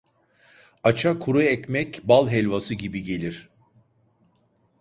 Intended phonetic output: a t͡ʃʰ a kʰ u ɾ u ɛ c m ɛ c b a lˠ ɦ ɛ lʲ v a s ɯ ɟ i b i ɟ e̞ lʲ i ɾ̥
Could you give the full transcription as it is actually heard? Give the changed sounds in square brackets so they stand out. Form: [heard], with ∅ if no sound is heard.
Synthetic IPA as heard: a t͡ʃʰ a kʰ u ɾ u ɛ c m ɛ c b a lˠ ɦ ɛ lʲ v a s ɯ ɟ i b i ɟ e̞ lʲ i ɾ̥